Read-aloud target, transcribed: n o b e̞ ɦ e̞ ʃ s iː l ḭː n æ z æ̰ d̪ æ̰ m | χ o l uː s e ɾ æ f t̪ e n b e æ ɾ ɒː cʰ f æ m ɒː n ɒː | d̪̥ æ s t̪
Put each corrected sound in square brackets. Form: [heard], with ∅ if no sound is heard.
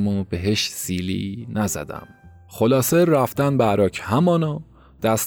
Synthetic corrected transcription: [m] o b e̞ ɦ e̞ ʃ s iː l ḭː n æ z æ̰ d̪ æ̰ m | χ o l [ɒː] s e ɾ æ f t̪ [æ] n b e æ ɾ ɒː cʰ [h] æ m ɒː n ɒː | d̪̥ æ s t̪